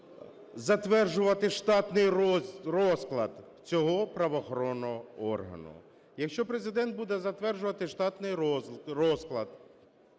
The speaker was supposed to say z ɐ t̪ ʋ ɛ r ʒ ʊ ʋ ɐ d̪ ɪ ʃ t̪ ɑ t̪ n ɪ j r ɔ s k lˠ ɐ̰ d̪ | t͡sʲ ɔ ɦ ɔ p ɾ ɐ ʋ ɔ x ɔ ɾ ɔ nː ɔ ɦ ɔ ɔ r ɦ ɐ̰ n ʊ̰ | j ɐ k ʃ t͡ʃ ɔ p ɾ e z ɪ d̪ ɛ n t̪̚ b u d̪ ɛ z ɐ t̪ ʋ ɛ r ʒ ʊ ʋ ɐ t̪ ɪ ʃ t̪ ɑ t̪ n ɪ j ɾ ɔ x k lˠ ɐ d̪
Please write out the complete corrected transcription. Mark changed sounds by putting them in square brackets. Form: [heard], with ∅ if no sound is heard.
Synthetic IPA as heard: z ɐ t̪ ʋ ɛ r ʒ ʊ ʋ ɐ [t̪] ɪ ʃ t̪ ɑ t̪ n ɪ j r ɔ s k lˠ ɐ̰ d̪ | t͡sʲ ɔ ɦ ɔ p ɾ ɐ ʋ ɔ x ɔ ɾ ɔ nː ɔ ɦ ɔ ɔ r ɦ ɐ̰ n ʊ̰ | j ɐ k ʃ t͡ʃ ɔ p ɾ e z ɪ d̪ ɛ n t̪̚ b u d̪ ɛ z ɐ t̪ ʋ ɛ r ʒ ʊ ʋ ɐ t̪ ɪ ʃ t̪ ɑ t̪ n ɪ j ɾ ɔ [s] k lˠ ɐ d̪